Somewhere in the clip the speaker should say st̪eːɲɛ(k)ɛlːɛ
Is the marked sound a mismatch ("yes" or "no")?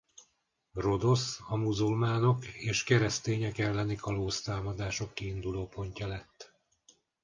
no